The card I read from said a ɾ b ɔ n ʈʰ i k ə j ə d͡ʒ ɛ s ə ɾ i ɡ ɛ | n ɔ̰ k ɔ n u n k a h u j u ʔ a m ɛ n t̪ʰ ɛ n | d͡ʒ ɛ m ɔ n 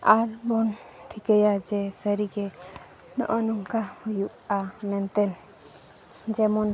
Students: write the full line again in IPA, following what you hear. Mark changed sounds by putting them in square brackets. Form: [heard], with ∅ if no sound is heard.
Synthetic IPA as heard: a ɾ b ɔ n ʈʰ i k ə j [a] d͡ʒ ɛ s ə ɾ i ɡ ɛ | n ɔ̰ [ʔ] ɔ n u [ŋ] k a h u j u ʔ a m ɛ n [t̪] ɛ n | d͡ʒ ɛ m ɔ n